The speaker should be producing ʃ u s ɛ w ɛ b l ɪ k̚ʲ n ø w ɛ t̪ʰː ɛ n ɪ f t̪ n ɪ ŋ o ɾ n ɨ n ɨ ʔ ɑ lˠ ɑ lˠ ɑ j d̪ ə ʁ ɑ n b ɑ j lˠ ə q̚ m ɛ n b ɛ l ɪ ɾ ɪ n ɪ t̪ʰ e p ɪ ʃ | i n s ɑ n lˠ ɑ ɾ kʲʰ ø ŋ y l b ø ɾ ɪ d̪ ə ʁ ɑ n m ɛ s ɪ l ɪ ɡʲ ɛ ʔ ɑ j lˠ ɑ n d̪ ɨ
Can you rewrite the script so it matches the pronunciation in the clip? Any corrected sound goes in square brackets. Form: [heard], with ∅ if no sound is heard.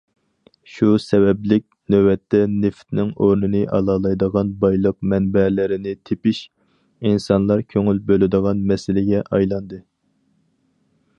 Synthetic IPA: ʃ u s ɛ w ɛ b l ɪ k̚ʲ n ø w ɛ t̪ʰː ɛ n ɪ f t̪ n ɪ ŋ o ɾ n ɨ n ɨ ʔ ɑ lˠ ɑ lˠ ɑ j d̪ ə ʁ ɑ n b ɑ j lˠ ə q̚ m ɛ n b ɛ l ɪ ɾ ɪ n ɪ t̪ʰ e p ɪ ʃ | i n s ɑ n lˠ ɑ ɾ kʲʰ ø ŋ y l b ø [l] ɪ d̪ ə ʁ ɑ n m ɛ s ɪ l ɪ ɡʲ ɛ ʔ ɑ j lˠ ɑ n d̪ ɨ